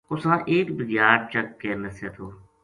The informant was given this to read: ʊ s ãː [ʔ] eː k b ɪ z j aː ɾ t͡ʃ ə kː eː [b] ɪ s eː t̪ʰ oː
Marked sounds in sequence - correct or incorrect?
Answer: correct, incorrect: m

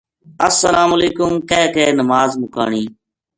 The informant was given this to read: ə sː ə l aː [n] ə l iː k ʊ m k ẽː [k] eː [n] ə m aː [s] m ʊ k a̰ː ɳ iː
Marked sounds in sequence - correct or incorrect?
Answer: incorrect: m, correct, correct, incorrect: z

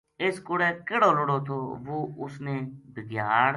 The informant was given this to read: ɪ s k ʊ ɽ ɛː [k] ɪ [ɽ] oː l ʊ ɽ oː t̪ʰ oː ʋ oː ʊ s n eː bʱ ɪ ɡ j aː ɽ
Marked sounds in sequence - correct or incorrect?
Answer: correct, correct

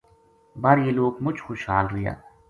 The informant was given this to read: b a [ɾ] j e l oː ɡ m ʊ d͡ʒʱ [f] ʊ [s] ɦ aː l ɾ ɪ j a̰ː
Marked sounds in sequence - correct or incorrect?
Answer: correct, incorrect: x, incorrect: ʃ

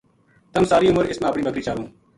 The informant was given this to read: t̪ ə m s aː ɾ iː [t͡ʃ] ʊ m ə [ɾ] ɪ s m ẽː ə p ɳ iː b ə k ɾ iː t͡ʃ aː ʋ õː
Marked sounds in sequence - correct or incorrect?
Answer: incorrect: none, correct

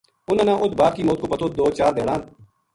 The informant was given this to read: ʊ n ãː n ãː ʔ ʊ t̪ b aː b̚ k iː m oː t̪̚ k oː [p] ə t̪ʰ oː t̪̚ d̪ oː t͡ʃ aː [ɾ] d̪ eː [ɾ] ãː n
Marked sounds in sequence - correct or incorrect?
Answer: correct, correct, incorrect: ɽ

